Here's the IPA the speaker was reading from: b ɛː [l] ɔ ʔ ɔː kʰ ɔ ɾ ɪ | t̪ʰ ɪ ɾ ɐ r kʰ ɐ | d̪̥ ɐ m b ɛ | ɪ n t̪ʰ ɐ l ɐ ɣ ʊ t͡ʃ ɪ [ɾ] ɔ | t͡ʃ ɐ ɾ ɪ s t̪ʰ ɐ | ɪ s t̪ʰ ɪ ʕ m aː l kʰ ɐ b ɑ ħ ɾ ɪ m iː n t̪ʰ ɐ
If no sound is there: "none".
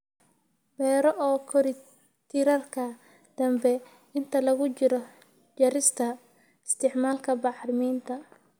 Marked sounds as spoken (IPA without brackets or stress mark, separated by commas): ɾ, ɾ